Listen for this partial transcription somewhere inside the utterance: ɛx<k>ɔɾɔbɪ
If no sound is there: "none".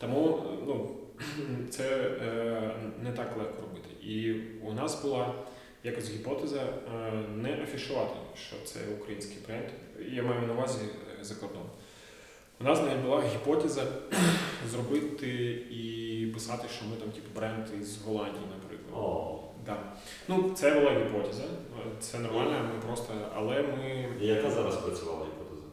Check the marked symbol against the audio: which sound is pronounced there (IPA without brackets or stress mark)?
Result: k